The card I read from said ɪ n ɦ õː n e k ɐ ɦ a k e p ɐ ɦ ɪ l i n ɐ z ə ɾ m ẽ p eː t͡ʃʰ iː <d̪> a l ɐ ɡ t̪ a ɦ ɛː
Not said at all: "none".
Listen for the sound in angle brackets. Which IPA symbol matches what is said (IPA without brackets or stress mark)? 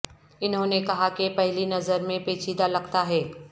d̪